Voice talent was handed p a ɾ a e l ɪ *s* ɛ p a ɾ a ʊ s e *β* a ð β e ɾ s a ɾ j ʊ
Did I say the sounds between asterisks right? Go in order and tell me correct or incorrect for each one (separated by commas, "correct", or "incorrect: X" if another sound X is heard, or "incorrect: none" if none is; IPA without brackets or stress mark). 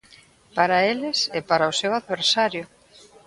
correct, incorrect: w